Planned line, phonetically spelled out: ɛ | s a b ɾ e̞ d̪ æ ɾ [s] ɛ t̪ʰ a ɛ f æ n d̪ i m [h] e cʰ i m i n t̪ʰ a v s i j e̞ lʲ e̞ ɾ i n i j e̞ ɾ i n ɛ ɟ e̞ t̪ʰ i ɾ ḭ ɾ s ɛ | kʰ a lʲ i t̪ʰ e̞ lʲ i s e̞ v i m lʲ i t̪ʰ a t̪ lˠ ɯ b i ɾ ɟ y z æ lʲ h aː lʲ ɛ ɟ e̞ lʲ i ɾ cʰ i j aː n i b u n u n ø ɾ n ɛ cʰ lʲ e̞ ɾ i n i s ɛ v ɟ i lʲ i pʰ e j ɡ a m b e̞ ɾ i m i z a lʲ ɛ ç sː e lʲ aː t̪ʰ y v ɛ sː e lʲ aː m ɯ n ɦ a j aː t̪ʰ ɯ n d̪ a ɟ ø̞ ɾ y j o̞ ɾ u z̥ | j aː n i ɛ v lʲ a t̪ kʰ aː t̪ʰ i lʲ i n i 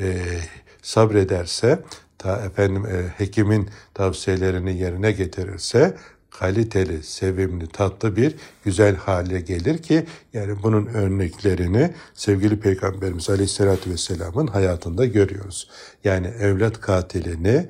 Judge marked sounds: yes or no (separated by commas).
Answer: yes, yes